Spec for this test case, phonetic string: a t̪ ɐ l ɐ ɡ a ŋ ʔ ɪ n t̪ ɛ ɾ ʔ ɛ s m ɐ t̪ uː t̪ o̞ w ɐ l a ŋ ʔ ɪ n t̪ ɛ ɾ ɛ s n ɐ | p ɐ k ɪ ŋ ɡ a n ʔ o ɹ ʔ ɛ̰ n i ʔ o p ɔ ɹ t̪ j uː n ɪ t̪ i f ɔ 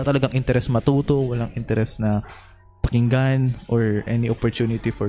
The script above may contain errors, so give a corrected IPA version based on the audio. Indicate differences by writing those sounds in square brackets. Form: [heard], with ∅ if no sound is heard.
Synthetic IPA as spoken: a t̪ ɐ l ɐ ɡ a ŋ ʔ ɪ n t̪ ɛ ɾ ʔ ɛ s m ɐ t̪ uː t̪ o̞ w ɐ l a ŋ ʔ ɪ n t̪ ɛ ɾ ɛ s n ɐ | p ɐ k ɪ ŋ ɡ a n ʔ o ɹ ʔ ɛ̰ n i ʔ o p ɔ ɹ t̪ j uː n ɪ t̪ i f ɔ